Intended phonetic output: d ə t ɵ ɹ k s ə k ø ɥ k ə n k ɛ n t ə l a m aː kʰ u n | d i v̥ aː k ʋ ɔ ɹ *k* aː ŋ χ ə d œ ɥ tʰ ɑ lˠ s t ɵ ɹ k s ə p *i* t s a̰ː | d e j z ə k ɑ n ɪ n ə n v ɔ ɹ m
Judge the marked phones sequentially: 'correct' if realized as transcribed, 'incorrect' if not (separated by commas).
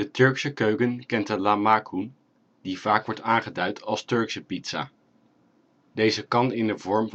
incorrect, correct